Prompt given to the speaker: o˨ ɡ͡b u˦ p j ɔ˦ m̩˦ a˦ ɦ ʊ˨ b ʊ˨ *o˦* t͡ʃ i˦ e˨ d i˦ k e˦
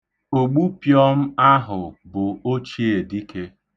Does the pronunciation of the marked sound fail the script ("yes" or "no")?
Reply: no